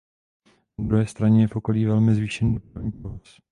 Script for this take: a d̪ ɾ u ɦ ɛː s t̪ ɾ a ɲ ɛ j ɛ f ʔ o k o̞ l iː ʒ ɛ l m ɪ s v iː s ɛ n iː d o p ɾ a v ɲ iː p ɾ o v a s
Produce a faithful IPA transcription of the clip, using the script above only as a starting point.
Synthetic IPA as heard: a d̪ ɾ u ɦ ɛː s t̪ ɾ a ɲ ɛ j ɛ f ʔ o k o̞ l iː v ɛ l m ɪ z v iː ʃ ɛ n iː d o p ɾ a v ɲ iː p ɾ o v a s